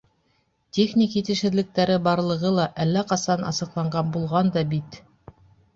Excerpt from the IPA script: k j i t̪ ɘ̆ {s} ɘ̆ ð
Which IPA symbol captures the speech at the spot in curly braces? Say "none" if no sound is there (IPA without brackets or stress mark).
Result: ʃ